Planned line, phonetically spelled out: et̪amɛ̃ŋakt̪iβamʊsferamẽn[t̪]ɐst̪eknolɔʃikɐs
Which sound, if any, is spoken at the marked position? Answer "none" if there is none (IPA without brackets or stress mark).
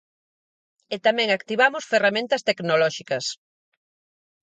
t̪